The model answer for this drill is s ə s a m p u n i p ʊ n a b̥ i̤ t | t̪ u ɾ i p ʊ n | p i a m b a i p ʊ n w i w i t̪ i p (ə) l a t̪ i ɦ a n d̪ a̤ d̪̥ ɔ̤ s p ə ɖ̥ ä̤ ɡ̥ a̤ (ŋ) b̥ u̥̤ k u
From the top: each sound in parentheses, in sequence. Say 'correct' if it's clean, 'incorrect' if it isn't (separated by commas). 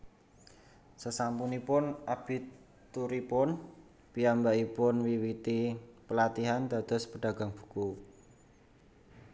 correct, correct